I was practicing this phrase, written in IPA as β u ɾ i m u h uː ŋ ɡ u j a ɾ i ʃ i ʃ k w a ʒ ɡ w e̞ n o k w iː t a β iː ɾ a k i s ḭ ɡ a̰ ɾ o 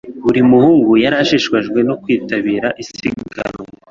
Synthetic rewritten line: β u ɾ i m u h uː ŋ ɡ u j a ɾ a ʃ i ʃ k w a ʒ ɡ w e̞ n o k w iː t a β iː ɾ a ʔ i s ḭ ɡ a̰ ɾ o